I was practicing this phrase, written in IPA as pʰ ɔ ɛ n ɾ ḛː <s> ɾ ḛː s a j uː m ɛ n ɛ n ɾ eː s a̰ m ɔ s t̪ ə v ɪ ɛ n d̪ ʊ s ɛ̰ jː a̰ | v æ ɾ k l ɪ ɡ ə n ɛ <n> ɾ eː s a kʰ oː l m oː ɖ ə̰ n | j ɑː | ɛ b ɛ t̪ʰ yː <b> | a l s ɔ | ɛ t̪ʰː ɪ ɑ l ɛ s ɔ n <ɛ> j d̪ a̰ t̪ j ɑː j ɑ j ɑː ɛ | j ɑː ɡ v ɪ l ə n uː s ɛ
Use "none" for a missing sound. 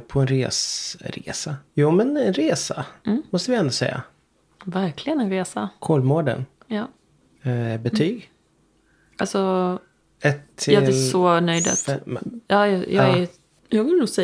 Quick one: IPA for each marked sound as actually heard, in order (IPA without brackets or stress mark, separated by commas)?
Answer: s, n, ɡ, œ